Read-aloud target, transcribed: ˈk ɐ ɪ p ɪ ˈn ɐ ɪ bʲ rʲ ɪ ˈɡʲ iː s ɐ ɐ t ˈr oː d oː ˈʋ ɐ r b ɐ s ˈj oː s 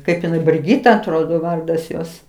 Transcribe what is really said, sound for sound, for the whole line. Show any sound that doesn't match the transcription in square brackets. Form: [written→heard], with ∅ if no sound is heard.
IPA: ˈk ɐ ɪ p ɪ ˈn ɐ ɪ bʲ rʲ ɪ ˈɡʲ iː [s→t] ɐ ɐ t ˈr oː d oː ˈʋ ɐ r [b→d] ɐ s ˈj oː s